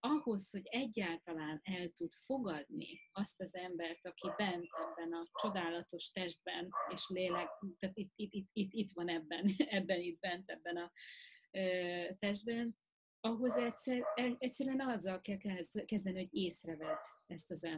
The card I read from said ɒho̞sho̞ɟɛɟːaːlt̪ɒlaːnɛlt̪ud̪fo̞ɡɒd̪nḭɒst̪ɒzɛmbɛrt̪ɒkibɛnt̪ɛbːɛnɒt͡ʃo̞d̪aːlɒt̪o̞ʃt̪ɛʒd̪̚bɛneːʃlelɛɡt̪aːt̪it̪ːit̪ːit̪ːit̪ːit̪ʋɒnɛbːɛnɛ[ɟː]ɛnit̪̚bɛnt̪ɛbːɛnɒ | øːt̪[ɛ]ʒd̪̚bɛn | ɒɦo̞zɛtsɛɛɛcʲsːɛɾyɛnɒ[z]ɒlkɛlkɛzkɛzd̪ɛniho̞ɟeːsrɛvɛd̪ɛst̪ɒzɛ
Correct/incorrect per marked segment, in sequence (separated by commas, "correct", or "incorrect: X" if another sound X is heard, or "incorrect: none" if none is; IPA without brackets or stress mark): incorrect: bː, correct, incorrect: zː